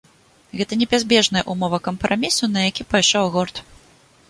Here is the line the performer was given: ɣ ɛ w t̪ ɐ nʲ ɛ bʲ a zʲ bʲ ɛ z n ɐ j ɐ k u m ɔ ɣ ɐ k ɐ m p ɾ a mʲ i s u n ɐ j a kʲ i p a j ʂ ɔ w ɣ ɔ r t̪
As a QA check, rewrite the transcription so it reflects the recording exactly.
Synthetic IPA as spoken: ɣ ɛ t̪ ɐ nʲ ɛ bʲ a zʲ bʲ ɛ ʐ n ɐ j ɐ ʔ u m ɔ v ɐ k ɐ m p ɾ a mʲ i s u n ɐ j a kʲ i p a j ʂ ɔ w ɣ ɔ r t̪

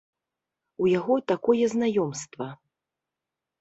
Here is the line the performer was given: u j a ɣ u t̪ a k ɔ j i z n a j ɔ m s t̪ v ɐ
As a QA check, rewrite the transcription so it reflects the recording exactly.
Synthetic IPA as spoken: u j a ɣ ɔ t̪ a k ɔ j ɛ z n a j ɔ m s t̪ v ɐ

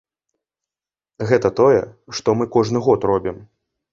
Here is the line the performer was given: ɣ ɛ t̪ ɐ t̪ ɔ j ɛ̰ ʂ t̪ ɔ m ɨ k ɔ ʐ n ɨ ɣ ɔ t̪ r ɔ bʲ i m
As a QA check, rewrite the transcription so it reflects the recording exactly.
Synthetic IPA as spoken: ɣ ɛ t̪ ɐ t̪ ɔ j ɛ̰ ʂ t̪ ɔ m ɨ k ɔ ʐ n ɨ ɣ ɔ t̪ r ɔ bʲ i m

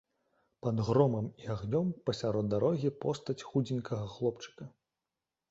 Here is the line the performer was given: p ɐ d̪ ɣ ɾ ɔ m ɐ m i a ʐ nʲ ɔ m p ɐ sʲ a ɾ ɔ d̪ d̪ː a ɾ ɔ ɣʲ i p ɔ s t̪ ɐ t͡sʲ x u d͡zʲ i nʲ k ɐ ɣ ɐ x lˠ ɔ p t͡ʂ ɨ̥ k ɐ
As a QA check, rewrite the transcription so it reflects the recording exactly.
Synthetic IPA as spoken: p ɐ d̪ ɣ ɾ ɔ m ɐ m i a ɣ nʲ ɔ m p ɐ sʲ a ɾ ɔ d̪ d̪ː a ɾ ɔ ɣʲ i p ɔ s t̪ ɐ t͡sʲ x u d͡zʲ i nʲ k ɐ ɣ ɐ x lˠ ɔ p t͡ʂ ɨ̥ k ɐ

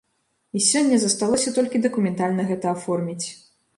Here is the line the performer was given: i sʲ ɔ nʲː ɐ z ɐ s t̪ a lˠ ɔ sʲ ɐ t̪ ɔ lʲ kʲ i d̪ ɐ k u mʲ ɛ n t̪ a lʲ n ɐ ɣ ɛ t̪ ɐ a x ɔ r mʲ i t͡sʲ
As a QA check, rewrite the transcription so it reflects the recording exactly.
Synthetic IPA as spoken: i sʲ ɔ nʲː ɐ z ɐ s t̪ a lˠ ɔ sʲ ɐ t̪ ɔ lʲ kʲ i d̪ ɐ k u mʲ ɛ n t̪ a lʲ n ɐ ɣ ɛ t̪ ɐ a f ɔ r mʲ i t͡sʲ

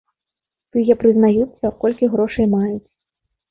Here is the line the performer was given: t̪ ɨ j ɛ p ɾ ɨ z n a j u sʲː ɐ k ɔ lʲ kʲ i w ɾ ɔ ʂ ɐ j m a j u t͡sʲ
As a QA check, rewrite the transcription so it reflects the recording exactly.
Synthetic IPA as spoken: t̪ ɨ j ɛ p ɾ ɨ z n a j u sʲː ɐ k ɔ lʲ kʲ i ɣ ɾ ɔ ʂ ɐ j m a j u t͡sʲ

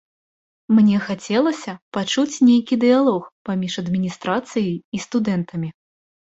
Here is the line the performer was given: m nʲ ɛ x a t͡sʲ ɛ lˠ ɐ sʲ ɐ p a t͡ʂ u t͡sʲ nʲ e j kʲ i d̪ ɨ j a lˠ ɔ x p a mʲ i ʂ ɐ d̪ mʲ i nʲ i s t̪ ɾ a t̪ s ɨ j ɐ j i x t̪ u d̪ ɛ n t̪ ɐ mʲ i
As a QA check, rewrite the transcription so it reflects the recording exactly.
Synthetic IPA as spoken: m nʲ ɛ x a t͡sʲ ɛ lˠ ɐ sʲ ɐ p a t͡ʂ u t͡sʲ nʲ e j kʲ i d̪ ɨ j a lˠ ɔ x p a mʲ i ʂ ɐ d̪ mʲ i nʲ i s t̪ ɾ a t̪ s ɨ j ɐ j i s t̪ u d̪ ɛ n t̪ ɐ mʲ i

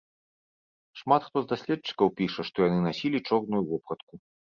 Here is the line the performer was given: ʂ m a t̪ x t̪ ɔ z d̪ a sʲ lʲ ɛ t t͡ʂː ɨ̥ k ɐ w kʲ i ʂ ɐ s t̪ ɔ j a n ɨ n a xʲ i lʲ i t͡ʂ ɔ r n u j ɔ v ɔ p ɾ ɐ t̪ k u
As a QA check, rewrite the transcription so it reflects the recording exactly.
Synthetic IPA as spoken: ʂ m a t̪ x t̪ ɔ z d̪ a sʲ lʲ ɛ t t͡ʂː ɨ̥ k ɐ w pʲ i ʂ ɐ ʂ t̪ ɔ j a n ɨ n a sʲ i lʲ i t͡ʂ ɔ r n u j u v ɔ p ɾ ɐ t̪ k u

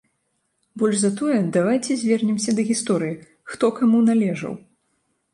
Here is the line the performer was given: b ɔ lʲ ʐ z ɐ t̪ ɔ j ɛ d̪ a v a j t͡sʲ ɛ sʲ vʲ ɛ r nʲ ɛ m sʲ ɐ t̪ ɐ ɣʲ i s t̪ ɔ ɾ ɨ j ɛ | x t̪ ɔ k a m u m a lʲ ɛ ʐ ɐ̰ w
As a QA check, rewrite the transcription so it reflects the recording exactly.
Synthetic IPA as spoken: b ɔ lʲ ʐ z ɐ t̪ ɔ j ɛ d̪ a v a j t͡sʲ ɛ zʲ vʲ ɛ r nʲ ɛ m sʲ ɐ d̪ ɐ ɣʲ i s t̪ ɔ ɾ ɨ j i | x t̪ ɔ k a m u n a lʲ ɛ ʐ ɐ̰ w

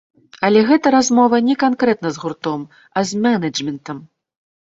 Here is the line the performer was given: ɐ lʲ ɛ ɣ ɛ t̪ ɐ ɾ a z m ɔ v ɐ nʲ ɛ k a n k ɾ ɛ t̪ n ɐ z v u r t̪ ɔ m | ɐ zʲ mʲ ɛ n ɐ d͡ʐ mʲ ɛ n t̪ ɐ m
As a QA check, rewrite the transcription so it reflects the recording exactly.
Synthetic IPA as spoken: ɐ lʲ ɛ ɣ ɛ t̪ ɐ ɾ a z m ɔ v ɐ nʲ ɛ k a n k ɾ ɛ t̪ n ɐ z ɣ u r t̪ ɔ m | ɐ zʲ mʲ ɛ n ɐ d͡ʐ mʲ ɛ n t̪ ɐ m

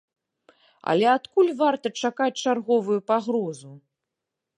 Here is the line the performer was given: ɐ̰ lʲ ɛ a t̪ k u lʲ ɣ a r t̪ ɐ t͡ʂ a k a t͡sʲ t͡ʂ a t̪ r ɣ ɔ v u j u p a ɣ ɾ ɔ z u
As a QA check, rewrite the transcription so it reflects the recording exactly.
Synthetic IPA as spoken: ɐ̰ lʲ ɛ a t̪ k u lʲ v a r t̪ ɐ t͡ʂ a k a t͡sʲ t͡ʂ a r ɣ ɔ v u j u p a ɣ ɾ ɔ z u

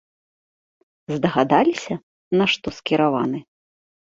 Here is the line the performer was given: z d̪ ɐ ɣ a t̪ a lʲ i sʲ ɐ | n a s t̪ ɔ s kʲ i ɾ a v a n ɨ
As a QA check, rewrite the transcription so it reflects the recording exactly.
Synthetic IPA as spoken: z d̪ ɐ ɣ a d̪ a lʲ i sʲ ɐ | n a ʂ t̪ ɔ s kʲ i ɾ a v a n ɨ

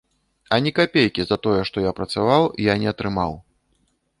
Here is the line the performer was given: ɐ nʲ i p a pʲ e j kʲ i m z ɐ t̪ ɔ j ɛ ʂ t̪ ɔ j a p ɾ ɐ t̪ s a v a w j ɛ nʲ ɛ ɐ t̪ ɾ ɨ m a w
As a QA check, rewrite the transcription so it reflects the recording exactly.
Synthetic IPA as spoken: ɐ nʲ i k a pʲ e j kʲ i z ɐ t̪ ɔ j ɛ ʂ t̪ ɔ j a p ɾ ɐ t̪ s a v a w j a nʲ ɛ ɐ t̪ ɾ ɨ m a w

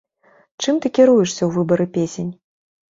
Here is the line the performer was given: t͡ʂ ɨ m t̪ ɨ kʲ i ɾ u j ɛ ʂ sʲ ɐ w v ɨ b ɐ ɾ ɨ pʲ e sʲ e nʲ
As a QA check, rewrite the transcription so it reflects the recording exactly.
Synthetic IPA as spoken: t͡ʂ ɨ m t̪ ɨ kʲ i ɾ u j ɛ ʂ sʲ ɐ w v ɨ b ɐ ɾ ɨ pʲ e sʲ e nʲ

